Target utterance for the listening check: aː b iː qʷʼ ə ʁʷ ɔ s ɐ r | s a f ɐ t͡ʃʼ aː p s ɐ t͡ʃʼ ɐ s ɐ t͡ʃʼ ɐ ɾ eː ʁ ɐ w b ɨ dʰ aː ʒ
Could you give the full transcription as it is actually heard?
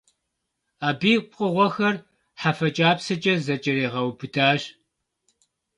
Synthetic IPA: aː b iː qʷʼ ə ʁʷ ɔ x ɐ r | ħ a f ɐ t͡ʃʼ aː p s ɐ t͡ʃʼ ɐ z ɐ t͡ʃʼ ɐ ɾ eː ʁ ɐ w b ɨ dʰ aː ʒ

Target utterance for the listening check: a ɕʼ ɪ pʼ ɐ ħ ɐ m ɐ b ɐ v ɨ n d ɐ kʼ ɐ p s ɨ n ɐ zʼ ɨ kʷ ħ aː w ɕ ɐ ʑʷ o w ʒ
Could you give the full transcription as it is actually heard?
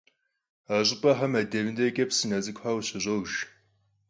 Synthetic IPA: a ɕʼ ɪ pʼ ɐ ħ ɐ m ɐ d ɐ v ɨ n d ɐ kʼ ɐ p s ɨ n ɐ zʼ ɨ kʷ ħ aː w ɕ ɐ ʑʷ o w ʒ

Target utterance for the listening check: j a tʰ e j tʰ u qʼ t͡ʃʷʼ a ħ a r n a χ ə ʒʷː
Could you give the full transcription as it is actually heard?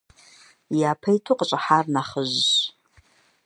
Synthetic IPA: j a pʰ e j tʰ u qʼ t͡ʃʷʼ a ħ a r n a χ ə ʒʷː

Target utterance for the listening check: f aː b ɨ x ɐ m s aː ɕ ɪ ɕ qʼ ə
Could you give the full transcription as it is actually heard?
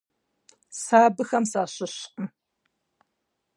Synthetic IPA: s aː b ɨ x ɐ m s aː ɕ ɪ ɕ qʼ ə

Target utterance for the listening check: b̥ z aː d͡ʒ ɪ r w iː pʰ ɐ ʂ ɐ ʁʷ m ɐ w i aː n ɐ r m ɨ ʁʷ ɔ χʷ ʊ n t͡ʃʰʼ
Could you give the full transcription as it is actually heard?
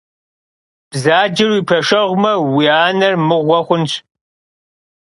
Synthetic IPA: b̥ z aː d͡ʒ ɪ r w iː pʰ ɐ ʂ ɐ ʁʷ m ɐ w i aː n ɐ r m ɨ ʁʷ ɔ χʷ ʊ n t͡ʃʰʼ

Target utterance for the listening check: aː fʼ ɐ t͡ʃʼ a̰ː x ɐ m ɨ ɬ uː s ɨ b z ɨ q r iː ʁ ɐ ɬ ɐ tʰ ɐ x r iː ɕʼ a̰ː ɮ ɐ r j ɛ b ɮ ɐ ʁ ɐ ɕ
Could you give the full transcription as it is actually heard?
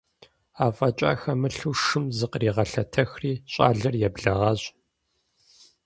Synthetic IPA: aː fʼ ɐ t͡ʃʼ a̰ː x ɐ m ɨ ɬ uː ʂ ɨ m z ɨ q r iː ʁ ɐ ɬ ɐ tʰ ɐ x r iː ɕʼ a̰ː ɮ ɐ r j ɛ b ɮ ɐ ʁ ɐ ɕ

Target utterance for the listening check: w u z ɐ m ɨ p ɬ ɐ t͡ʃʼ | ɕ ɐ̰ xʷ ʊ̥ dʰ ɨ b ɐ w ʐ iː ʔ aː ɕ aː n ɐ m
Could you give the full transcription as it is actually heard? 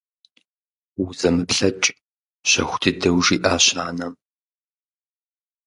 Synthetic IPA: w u z ɐ m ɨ p ɬ ɐ t͡ʃʼ | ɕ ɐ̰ xʷ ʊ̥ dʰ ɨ d ɐ w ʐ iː ʔ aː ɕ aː n ɐ m

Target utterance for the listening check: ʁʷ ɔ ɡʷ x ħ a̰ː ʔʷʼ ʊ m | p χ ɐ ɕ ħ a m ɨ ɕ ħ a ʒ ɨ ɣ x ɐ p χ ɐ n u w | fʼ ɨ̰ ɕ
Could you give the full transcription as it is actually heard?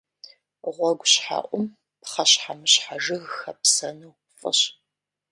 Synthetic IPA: ʁʷ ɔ ɡʷ ɕ ħ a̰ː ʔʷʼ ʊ m | p χ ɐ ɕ ħ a m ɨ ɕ ħ a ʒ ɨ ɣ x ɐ p s ɐ n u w | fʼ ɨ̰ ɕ

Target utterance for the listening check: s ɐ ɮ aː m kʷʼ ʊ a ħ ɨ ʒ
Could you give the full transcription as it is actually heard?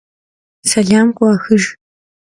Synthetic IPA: s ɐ ɮ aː m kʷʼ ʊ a x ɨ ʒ

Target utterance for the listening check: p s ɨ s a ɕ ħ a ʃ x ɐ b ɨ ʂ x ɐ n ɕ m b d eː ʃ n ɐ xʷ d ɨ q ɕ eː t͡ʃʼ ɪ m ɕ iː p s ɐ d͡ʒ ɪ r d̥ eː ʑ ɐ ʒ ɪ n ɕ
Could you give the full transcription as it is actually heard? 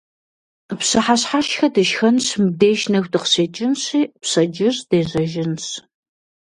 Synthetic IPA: p s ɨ ħ a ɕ ħ a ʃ x ɐ d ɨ ʃ x ɐ n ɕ m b d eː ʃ n ɐ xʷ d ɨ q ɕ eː t͡ʃʼ ɪ n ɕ iː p s ɐ d͡ʒ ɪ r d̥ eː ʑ ɐ ʒ ɪ n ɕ

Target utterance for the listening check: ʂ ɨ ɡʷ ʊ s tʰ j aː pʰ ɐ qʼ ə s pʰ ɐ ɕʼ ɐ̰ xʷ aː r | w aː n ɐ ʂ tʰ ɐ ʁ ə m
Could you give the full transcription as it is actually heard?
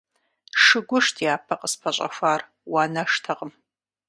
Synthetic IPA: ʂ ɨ ɡʷ ʊ ʂ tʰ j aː pʰ ɐ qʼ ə s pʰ ɐ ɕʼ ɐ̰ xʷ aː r | w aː n ɐ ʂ tʰ ɐ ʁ ə m

